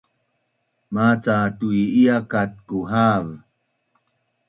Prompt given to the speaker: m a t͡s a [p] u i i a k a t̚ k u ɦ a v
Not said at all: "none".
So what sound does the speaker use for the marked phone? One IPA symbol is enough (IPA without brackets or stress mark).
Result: t